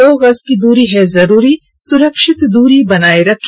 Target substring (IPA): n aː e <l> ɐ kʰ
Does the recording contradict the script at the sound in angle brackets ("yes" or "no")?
yes